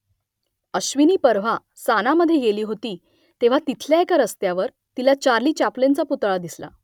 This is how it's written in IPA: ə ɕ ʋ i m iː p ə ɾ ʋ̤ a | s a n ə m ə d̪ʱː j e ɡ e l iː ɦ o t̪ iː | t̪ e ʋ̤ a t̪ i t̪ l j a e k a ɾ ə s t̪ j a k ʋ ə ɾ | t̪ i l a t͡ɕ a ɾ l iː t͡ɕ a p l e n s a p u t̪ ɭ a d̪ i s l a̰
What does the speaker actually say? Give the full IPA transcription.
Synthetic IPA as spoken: ə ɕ ʋ i n iː p ə ɾ ʋ̤ a | s a n a m ə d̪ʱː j e ɡ e l iː ɦ o t̪ iː | t̪ e ʋ̤ a t̪ i t̪ʰ l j a e k a ɾ ə s t̪ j a ʋ ə ɾ | t̪ i l a t͡ɕ a ɾ l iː t͡ɕ a p l e n t͡s a p u t̪ ɭ a d̪ i s l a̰